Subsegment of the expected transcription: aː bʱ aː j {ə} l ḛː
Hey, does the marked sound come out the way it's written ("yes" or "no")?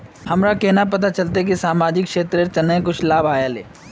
no